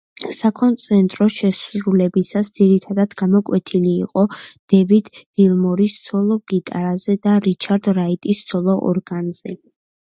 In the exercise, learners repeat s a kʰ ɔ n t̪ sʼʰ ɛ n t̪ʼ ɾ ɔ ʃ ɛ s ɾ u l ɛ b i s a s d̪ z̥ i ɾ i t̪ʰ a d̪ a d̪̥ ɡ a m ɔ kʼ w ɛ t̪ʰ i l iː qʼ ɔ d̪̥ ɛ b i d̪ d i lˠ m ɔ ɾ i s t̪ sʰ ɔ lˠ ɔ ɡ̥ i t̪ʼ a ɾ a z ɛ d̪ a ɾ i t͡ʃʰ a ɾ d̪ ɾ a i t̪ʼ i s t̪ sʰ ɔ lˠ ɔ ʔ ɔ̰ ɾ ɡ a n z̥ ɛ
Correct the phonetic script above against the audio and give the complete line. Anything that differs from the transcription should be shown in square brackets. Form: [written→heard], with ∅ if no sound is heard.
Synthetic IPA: s a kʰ ɔ n t̪ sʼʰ ɛ n t̪ʼ ɾ ɔ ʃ ɛ s ɾ u l ɛ b i s a s d̪ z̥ i ɾ i t̪ʰ a d̪ a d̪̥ ɡ a m ɔ kʼ w ɛ t̪ʰ i l iː qʼ ɔ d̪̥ ɛ [b→v] i d̪ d i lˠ m ɔ ɾ i s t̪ sʰ ɔ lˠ ɔ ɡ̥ i t̪ʼ a ɾ a z ɛ d̪ a ɾ i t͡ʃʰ a ɾ d̪ ɾ a i t̪ʼ i s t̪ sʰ ɔ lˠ ɔ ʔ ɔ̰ ɾ ɡ a n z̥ ɛ

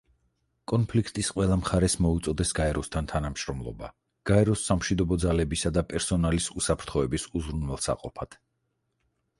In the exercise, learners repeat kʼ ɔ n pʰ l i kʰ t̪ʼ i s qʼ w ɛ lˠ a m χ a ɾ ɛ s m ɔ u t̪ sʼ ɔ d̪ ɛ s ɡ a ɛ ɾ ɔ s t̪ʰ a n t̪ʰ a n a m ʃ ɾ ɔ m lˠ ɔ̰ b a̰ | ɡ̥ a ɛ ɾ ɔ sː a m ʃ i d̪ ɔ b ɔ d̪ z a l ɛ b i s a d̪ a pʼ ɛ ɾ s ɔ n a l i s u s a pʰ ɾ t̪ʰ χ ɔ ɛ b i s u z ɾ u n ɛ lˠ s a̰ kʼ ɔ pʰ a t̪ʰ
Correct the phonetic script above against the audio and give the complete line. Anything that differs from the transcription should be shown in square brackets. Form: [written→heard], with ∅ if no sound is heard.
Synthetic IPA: kʼ ɔ n pʰ l i kʰ t̪ʼ i s qʼ w ɛ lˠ a m χ a ɾ ɛ s m ɔ u t̪ sʼ ɔ d̪ ɛ s ɡ a ɛ ɾ ɔ s t̪ʰ a n t̪ʰ a n a m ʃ ɾ ɔ m lˠ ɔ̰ b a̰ | ɡ̥ a ɛ ɾ ɔ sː a m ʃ i d̪ ɔ b ɔ d̪ z a l ɛ b i s a d̪ a pʼ ɛ ɾ s ɔ n a l i s u s a pʰ ɾ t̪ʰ χ ɔ ɛ b i s u z ɾ u n ɛ lˠ s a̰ [kʼ→qʼ] ɔ pʰ a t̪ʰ

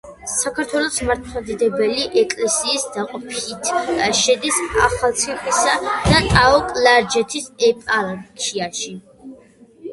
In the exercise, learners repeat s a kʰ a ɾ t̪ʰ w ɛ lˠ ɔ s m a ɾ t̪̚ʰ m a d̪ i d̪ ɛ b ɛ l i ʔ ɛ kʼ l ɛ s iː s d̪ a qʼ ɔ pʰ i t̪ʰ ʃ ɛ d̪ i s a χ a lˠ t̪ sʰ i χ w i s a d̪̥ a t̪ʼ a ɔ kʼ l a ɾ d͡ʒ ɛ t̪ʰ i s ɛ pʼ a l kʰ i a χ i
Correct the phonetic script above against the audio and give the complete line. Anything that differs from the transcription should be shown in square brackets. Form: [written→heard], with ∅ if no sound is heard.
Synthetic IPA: s a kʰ a ɾ t̪ʰ w ɛ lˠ ɔ s m a ɾ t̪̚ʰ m a d̪ i d̪ ɛ b ɛ l i ʔ ɛ kʼ l ɛ s iː s d̪ a qʼ ɔ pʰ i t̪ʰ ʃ ɛ d̪ i s a χ a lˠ t̪ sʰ i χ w i s a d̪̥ a t̪ʼ a ɔ kʼ l a ɾ d͡ʒ ɛ t̪ʰ i s ɛ pʼ a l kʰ i a [χ→ʃ] i

